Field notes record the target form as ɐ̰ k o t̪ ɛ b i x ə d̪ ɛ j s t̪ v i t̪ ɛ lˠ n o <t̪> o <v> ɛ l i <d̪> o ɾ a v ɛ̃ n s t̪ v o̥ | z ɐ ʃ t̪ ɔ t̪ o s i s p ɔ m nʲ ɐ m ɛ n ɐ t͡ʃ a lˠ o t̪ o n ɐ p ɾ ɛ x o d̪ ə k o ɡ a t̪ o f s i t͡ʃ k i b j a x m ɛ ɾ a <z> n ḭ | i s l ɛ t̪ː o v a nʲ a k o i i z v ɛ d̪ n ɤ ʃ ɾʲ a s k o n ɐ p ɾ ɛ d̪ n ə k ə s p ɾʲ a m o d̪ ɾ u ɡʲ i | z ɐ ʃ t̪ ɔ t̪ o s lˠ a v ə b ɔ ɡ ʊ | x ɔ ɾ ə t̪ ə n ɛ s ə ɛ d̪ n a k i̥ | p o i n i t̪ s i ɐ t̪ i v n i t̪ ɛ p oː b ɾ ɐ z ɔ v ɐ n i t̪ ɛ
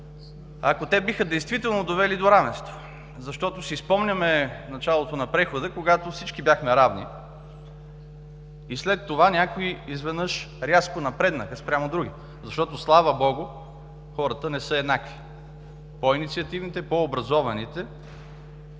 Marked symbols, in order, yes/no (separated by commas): no, yes, yes, no